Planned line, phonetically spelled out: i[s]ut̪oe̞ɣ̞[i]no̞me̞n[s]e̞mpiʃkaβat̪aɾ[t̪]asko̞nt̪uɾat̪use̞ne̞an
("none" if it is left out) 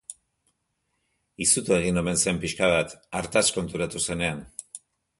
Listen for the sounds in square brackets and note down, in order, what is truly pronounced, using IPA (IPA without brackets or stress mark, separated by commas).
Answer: s, i, s, t̪